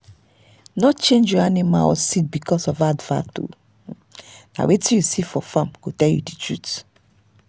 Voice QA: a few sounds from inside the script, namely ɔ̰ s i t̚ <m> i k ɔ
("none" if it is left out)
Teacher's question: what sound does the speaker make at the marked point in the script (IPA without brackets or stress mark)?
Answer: b